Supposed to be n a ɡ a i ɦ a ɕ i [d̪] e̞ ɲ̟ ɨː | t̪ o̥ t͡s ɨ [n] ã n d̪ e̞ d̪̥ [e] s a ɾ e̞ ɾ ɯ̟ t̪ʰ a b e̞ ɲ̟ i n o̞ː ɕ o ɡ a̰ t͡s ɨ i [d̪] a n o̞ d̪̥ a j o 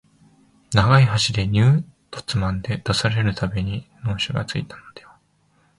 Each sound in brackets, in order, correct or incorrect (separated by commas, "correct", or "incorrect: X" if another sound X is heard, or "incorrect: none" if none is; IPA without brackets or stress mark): correct, incorrect: m, incorrect: a, incorrect: t̪